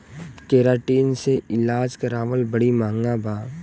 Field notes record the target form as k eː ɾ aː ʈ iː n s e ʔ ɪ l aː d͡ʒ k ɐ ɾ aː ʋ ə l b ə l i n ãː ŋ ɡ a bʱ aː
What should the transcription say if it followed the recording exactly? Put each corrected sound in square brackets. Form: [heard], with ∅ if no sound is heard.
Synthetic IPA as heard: k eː ɾ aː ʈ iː n s e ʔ ɪ l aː d͡ʒ k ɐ ɾ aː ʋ ə l b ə [ɽ] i [m] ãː ŋ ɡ a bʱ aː